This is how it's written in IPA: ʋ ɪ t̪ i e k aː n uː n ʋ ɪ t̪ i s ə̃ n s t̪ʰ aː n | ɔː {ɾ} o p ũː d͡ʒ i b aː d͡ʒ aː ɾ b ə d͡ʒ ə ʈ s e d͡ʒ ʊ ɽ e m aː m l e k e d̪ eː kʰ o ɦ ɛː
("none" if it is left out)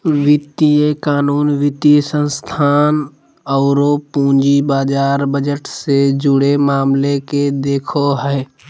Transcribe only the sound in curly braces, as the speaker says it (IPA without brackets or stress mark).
ɾ